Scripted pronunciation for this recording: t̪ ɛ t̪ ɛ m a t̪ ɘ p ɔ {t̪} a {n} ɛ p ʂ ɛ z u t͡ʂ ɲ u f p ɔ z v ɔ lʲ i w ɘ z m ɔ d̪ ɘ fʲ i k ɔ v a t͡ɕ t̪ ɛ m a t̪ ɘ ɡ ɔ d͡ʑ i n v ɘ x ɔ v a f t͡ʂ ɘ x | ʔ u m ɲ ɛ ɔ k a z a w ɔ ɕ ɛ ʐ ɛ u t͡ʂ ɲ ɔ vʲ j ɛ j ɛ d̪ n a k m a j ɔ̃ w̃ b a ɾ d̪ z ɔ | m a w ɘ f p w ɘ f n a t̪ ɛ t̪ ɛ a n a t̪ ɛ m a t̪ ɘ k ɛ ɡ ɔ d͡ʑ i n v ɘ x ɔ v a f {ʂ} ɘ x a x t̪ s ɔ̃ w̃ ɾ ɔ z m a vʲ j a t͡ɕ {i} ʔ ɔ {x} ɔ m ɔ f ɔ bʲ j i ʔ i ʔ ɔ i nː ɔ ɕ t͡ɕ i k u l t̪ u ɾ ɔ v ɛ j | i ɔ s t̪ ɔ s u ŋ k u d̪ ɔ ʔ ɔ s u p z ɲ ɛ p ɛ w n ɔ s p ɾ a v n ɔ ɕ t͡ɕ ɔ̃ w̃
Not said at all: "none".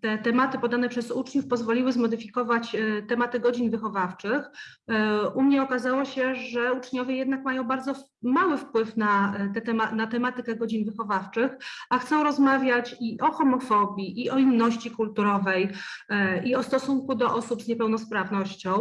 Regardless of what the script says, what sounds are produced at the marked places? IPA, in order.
d̪, n, t͡ʂ, i, x

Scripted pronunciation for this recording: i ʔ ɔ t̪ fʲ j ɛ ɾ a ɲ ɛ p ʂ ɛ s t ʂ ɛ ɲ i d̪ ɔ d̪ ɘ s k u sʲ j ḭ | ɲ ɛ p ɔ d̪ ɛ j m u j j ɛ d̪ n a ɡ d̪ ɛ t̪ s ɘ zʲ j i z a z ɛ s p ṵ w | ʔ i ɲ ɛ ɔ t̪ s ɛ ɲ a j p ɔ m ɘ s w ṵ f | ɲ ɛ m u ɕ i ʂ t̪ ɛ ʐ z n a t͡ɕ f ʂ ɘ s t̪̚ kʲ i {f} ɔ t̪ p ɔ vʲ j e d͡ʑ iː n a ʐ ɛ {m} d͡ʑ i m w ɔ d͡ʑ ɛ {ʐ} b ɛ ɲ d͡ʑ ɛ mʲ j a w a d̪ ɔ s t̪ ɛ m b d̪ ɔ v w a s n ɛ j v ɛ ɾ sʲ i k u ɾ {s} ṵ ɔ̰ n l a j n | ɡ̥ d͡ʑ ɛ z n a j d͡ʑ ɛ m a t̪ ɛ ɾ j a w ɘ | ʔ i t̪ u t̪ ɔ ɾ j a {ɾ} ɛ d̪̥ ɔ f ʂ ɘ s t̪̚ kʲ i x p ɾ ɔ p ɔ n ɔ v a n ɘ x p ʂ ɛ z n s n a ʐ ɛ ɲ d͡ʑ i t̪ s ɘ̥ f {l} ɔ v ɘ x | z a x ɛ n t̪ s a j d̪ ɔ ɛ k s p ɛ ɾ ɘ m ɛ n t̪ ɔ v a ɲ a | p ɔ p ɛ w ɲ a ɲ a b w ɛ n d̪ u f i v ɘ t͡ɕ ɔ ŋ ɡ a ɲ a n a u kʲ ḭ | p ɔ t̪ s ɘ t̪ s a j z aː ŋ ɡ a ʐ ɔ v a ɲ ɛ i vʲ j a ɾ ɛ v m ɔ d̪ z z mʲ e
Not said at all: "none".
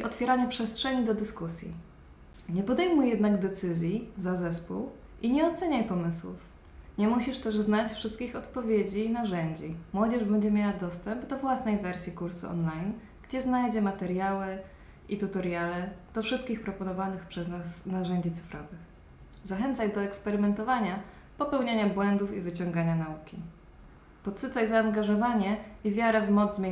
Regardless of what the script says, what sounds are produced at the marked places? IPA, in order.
x, ɲ, ʐ, s, l, ɾ

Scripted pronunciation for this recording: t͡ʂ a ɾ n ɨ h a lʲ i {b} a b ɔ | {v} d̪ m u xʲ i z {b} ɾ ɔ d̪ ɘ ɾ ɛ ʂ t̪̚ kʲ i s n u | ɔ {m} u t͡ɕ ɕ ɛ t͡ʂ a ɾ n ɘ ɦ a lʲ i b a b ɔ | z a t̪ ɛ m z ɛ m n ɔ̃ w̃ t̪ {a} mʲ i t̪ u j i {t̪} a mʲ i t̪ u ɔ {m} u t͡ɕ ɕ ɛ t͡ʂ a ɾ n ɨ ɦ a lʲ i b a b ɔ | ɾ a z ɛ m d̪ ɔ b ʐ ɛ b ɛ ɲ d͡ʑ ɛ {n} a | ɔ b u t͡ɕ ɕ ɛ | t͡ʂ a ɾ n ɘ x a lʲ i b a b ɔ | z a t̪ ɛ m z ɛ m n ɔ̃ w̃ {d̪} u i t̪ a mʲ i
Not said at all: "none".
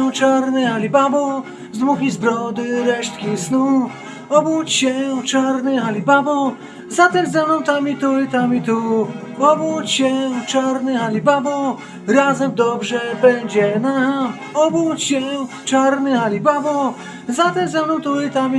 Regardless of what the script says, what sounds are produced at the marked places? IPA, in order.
b, z, b, b, a, t̪, b, n, t̪

